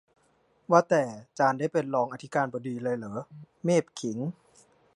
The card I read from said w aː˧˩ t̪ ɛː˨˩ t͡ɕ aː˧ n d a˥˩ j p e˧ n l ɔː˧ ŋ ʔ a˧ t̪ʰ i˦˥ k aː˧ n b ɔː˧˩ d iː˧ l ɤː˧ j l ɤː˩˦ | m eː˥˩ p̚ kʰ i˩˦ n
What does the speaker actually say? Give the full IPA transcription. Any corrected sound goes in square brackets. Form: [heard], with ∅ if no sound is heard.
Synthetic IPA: w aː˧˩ t̪ ɛː˨˩ t͡ɕ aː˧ n d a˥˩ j p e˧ n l ɔː˧ ŋ ʔ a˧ t̪ʰ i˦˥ k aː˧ n b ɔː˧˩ d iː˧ l ɤː˧ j l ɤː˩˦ | m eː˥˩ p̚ kʰ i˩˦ [ŋ]